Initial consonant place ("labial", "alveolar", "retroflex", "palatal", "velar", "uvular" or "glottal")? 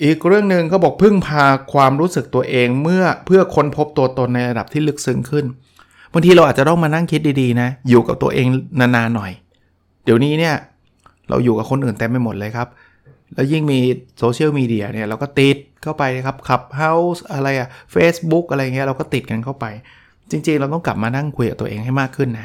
glottal